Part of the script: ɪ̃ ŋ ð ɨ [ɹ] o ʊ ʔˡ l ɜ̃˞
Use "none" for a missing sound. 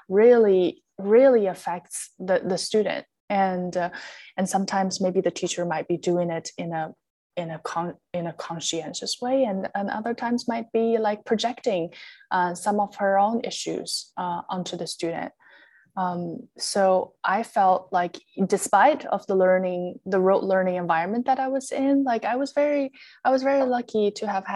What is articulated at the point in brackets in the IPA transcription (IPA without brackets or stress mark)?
ɹ